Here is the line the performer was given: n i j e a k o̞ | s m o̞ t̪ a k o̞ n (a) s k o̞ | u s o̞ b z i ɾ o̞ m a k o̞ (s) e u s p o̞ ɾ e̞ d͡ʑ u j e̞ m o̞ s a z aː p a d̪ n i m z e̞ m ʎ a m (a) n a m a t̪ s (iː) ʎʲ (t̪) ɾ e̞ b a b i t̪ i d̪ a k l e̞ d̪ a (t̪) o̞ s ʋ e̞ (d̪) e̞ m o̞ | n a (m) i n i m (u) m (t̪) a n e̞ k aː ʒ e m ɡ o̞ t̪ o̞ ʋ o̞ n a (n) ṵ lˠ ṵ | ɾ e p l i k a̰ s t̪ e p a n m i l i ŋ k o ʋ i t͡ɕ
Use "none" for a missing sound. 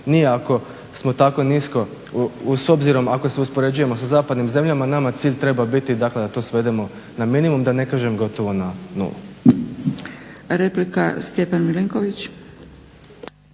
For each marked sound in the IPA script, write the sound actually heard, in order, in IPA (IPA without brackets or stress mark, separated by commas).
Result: i, s, a, iː, t̪, t̪, d̪, m, u, d̪, n